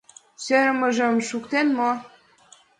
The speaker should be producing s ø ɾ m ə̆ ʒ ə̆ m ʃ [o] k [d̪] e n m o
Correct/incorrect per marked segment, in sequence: incorrect: u, incorrect: t̪

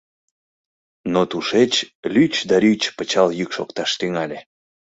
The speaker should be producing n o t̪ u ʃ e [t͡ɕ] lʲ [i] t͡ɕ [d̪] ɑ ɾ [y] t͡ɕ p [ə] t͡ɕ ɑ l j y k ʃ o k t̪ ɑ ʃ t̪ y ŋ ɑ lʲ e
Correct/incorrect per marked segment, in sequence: correct, incorrect: y, correct, correct, correct

